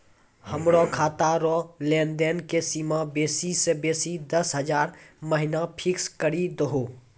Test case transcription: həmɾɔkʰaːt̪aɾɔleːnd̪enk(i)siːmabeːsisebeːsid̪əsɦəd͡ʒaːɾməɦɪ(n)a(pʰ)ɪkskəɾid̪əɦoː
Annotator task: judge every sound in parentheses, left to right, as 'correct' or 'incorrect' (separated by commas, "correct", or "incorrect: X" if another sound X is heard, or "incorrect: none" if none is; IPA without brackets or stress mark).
incorrect: e, correct, correct